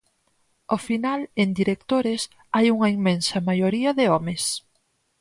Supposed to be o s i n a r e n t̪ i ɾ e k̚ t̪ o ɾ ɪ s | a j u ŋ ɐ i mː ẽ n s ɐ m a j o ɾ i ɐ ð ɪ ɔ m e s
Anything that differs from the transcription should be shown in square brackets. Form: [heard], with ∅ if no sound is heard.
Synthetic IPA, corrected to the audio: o [f] i n a [l] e n [d̪] i ɾ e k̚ t̪ o ɾ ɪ s | a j u ŋ ɐ i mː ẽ n s ɐ m a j o ɾ i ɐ ð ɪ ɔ m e s